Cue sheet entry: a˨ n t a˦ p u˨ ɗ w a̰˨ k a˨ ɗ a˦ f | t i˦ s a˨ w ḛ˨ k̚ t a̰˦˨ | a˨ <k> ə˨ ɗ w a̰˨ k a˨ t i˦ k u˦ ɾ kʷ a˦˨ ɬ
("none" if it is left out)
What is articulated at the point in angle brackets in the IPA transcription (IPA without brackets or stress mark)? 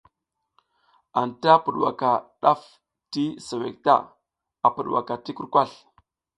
p